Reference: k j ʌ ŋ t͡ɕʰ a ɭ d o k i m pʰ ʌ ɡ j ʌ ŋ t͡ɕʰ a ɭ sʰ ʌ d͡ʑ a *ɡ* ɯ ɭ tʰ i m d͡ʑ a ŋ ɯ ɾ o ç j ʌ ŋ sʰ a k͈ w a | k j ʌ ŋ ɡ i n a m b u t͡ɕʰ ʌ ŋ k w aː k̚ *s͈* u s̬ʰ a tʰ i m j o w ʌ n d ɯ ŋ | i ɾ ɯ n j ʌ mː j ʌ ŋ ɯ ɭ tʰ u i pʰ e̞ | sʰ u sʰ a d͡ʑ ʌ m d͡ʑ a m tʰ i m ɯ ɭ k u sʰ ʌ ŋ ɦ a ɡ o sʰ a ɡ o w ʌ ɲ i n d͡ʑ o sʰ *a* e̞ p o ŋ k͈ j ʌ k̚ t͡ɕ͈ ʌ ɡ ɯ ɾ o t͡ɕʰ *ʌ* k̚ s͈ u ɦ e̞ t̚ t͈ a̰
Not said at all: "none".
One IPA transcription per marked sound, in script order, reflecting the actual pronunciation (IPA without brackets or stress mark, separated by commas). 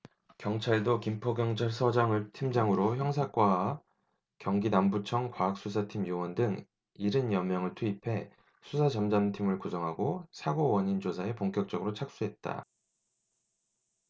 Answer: ŋ, s͈, a, a